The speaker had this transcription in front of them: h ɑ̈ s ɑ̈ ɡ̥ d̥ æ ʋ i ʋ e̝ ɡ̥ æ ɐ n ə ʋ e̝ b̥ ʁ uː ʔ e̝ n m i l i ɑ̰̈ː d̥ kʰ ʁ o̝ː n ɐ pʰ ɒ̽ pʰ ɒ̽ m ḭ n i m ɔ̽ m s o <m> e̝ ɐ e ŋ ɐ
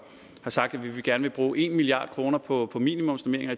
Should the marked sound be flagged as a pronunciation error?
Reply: no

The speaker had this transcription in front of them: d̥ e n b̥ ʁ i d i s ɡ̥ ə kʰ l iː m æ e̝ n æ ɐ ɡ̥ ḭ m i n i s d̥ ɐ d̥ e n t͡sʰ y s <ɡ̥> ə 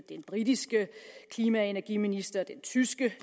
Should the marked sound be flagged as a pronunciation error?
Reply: no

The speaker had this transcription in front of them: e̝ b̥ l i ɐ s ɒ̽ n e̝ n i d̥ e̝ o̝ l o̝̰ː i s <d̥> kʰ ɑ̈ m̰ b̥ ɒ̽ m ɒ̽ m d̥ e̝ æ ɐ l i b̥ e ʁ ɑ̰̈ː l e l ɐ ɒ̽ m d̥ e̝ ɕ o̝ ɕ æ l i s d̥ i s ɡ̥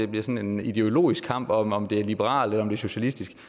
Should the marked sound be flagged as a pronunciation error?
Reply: yes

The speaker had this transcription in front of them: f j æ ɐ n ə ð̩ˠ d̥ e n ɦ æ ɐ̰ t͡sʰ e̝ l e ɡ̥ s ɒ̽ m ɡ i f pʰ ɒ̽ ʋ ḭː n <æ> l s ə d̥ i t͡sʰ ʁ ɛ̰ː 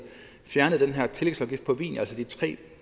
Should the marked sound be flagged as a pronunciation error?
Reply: no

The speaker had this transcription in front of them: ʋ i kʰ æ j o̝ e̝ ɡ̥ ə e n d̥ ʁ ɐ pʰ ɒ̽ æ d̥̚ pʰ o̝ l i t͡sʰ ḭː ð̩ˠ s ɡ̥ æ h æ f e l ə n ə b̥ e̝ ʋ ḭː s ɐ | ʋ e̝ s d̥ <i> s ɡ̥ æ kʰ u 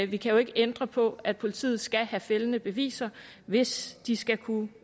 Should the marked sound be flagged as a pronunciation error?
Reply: no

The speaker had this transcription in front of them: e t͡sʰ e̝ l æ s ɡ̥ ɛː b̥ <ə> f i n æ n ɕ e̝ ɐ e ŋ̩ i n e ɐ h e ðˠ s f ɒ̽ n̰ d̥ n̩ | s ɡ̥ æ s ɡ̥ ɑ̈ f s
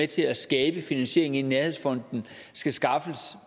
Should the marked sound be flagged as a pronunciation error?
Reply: no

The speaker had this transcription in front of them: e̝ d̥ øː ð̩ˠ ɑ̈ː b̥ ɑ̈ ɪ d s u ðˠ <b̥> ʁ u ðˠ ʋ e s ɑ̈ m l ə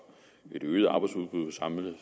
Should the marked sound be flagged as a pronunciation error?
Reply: no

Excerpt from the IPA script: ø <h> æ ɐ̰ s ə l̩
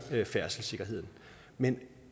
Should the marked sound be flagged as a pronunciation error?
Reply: yes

